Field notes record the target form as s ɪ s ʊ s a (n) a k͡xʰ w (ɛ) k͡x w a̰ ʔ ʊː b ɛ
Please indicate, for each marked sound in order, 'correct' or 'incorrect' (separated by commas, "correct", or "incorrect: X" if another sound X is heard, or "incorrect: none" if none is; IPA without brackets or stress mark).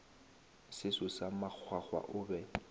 incorrect: m, incorrect: a